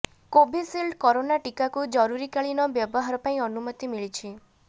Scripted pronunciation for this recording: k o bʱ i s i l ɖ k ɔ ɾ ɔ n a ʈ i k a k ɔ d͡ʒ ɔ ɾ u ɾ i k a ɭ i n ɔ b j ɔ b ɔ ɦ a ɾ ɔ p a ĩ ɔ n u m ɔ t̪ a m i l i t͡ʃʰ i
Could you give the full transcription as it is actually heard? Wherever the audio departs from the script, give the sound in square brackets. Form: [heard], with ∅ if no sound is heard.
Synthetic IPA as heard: k o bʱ i s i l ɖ k ɔ ɾ [o] n a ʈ i k a k [u] d͡ʒ ɔ ɾ u ɾ i k a ɭ i n ɔ b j ɔ b ɔ ɦ a ɾ ɔ p a ĩ ɔ n u m ɔ t̪ [i] m i [ɭ] i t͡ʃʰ i

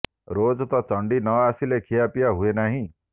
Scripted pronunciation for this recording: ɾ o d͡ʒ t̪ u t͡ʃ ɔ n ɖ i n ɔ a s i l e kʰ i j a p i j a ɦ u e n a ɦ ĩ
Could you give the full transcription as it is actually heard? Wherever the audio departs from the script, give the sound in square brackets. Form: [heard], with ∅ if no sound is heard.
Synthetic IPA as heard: ɾ o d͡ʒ t̪ [ɔ] t͡ʃ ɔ [ɳ] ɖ i n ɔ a s i l e kʰ i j a p i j a ɦ u e n a ɦ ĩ

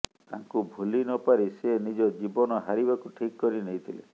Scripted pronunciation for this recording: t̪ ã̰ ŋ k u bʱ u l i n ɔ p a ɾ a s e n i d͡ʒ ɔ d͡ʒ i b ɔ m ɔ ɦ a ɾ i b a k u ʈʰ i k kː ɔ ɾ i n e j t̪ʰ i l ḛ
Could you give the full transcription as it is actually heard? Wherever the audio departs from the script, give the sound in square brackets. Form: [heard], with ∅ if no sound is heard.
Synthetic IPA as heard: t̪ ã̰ ŋ k u bʱ u l i n ɔ p a ɾ [i] s e n i d͡ʒ ɔ d͡ʒ i b ɔ [n] ɔ ɦ a ɾ i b a k u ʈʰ i k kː ɔ ɾ i n e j t̪ʰ i l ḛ

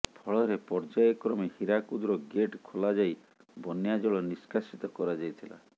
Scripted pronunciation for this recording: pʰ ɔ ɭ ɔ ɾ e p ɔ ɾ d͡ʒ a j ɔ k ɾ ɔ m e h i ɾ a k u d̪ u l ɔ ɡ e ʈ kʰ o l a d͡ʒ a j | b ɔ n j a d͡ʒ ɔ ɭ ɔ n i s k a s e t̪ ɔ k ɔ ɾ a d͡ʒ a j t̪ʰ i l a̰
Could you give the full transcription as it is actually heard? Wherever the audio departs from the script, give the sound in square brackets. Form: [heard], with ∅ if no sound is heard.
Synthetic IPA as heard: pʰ ɔ ɭ ɔ ɾ e p ɔ ɾ d͡ʒ a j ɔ k ɾ ɔ m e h i ɾ a k u d̪ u [ɾ] ɔ ɡ e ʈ kʰ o l a d͡ʒ a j | b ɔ n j a d͡ʒ ɔ ɭ ɔ n i s k a s [i] t̪ ɔ k ɔ ɾ a d͡ʒ a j t̪ʰ i l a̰

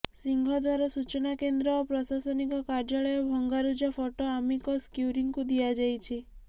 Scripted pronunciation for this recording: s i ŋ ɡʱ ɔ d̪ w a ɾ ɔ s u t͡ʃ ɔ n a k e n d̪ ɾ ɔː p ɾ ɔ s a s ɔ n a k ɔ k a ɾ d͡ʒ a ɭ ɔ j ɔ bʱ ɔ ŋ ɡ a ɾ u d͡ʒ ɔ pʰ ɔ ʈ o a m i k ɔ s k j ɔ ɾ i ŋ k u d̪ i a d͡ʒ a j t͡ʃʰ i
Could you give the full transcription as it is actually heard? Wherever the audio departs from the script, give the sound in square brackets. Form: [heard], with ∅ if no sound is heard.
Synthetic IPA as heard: s i ŋ ɡʱ ɔ d̪ w a ɾ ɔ s u t͡ʃ ɔ n a k e n d̪ ɾ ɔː p ɾ ɔ s a s ɔ n [i] k ɔ k a ɾ d͡ʒ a ɭ ɔ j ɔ bʱ ɔ ŋ ɡ a ɾ u d͡ʒ ɔ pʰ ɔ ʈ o a m i k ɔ s k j [u] ɾ i ŋ k u d̪ i a d͡ʒ a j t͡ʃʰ i

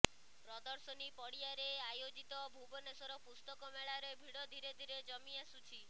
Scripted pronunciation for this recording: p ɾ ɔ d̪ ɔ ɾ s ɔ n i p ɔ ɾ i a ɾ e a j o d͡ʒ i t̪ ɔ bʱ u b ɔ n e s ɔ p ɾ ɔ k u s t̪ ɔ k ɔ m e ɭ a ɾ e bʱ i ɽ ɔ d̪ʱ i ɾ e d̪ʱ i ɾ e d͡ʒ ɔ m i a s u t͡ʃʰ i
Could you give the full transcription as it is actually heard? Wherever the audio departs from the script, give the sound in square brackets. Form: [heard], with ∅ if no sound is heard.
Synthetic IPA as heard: p ɾ ɔ d̪ ɔ ɾ s ɔ n i p ɔ [ɽ] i a ɾ e a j o d͡ʒ i t̪ ɔ bʱ u b ɔ n e s ɔ [∅] ɾ ɔ [p] u s t̪ ɔ k ɔ m e ɭ a ɾ e bʱ i ɽ ɔ d̪ʱ i ɾ e d̪ʱ i ɾ e d͡ʒ ɔ m i a s u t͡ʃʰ i

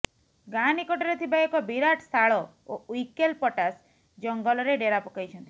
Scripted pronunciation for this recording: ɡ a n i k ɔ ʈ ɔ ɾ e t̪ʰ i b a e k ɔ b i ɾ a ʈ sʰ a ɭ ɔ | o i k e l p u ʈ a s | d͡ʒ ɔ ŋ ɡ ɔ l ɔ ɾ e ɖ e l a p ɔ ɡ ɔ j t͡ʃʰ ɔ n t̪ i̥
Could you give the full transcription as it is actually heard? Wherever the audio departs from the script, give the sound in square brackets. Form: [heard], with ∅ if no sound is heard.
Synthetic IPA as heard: ɡ a n i k ɔ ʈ ɔ ɾ e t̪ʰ i b a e k ɔ b i ɾ a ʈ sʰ a ɭ ɔ | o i k e l p [ɔ] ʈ a s | d͡ʒ ɔ ŋ ɡ ɔ l ɔ ɾ e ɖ e [ɾ] a p ɔ [k] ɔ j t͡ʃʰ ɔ n t̪ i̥

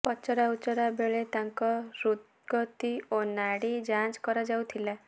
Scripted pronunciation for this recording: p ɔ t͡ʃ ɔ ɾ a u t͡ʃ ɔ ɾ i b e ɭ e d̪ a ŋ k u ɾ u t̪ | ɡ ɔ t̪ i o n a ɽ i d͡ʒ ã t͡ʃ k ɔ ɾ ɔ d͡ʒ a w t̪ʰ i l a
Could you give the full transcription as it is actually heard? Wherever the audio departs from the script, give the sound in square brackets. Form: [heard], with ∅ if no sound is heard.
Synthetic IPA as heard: p ɔ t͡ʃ ɔ ɾ a u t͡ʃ ɔ ɾ [a] b e ɭ e [t̪] a ŋ k [ɔ] ɾ u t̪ | ɡ ɔ t̪ i o n a ɽ i d͡ʒ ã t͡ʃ k ɔ ɾ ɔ d͡ʒ a w t̪ʰ i l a

